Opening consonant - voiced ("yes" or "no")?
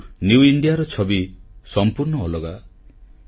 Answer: yes